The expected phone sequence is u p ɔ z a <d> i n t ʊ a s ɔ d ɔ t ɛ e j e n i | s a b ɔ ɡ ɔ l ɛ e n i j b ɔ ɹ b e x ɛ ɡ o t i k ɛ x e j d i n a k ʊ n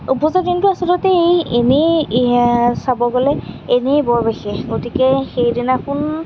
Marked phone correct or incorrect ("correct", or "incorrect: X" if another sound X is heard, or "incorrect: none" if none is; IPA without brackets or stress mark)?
correct